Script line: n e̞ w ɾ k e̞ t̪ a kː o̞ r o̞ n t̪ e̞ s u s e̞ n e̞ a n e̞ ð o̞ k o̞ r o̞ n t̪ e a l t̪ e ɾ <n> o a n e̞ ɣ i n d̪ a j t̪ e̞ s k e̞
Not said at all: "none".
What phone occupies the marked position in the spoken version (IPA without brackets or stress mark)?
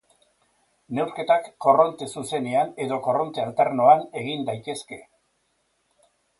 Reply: n